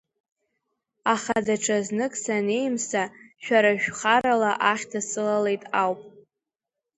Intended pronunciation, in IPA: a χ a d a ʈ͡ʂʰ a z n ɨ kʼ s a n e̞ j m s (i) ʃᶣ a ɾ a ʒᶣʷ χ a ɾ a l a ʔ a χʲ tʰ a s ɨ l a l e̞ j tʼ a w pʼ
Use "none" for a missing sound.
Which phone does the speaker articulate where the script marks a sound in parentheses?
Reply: a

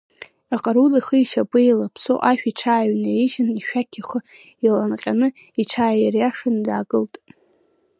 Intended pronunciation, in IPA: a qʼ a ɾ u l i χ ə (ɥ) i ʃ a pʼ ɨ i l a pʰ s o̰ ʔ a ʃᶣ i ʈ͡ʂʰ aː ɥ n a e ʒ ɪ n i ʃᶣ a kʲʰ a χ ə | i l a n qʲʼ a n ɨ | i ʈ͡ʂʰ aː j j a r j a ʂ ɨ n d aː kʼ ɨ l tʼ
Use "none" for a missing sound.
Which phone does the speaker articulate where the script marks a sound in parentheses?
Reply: none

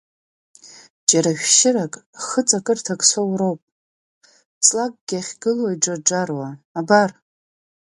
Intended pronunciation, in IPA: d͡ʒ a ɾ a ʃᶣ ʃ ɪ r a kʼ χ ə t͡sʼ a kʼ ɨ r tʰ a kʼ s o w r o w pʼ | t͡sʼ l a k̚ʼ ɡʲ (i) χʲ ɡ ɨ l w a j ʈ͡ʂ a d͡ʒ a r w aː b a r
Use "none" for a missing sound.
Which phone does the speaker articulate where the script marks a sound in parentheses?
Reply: a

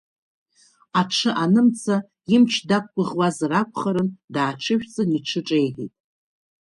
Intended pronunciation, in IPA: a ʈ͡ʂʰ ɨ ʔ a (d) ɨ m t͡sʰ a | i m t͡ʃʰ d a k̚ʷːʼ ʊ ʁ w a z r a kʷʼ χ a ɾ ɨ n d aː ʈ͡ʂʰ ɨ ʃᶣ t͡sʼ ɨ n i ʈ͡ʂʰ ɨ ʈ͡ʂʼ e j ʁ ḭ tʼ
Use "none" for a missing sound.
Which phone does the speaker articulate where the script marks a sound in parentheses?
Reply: n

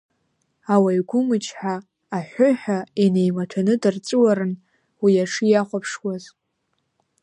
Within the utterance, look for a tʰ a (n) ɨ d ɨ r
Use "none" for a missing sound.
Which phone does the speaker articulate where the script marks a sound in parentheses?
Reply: n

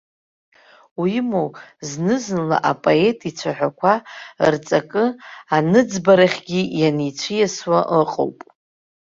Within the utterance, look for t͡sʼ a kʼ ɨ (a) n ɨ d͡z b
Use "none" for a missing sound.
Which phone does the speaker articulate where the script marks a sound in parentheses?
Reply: a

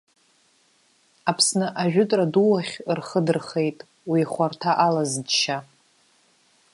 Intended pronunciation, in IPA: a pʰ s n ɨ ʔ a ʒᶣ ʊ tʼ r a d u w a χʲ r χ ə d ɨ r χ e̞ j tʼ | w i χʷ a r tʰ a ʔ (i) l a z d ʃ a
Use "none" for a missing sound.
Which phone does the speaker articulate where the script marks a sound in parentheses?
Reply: a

